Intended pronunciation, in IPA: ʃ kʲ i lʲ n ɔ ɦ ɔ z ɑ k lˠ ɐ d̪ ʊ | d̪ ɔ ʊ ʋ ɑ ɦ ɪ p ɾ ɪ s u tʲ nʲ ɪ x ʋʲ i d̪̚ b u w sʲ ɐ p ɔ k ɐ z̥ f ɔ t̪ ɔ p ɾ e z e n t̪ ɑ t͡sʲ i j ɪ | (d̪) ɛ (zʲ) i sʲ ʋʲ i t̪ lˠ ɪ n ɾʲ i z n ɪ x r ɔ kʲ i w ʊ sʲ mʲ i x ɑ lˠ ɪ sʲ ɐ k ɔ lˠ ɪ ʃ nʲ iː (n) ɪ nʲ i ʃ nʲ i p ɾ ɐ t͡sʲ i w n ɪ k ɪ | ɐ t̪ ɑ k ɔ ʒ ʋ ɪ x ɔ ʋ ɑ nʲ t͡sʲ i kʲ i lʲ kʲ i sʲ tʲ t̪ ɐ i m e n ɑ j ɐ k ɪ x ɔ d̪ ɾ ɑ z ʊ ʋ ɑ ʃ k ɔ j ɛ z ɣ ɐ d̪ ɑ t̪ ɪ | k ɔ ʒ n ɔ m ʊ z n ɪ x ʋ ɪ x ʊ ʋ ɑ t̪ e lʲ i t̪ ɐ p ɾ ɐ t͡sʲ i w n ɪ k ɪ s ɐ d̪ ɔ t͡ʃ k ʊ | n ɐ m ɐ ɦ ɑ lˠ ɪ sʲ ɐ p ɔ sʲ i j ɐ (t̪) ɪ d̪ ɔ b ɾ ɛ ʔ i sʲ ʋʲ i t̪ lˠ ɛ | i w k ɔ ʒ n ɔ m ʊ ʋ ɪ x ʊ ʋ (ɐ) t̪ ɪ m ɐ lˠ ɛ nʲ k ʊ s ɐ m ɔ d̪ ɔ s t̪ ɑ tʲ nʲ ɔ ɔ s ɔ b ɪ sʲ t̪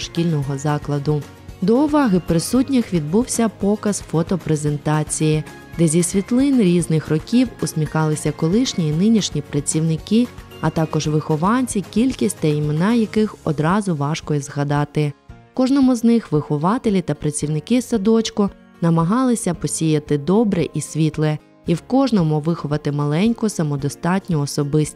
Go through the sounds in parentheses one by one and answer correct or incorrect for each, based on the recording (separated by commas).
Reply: correct, correct, correct, correct, correct